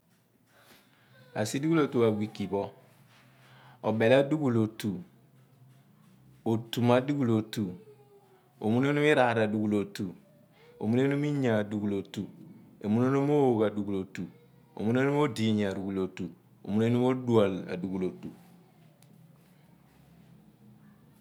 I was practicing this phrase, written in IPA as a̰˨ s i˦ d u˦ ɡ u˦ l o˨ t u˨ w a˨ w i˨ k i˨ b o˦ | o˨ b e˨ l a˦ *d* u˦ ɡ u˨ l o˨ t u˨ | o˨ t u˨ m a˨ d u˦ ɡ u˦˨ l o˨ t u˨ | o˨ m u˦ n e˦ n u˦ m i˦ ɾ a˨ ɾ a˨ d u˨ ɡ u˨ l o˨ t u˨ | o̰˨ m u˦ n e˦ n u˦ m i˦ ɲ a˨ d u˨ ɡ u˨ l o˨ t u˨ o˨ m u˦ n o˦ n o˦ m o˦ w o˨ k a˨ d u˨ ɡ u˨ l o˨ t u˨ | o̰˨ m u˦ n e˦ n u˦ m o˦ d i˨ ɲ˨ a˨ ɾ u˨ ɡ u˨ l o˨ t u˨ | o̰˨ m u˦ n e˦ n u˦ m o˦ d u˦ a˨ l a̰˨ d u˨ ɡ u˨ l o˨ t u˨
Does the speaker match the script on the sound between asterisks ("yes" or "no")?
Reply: yes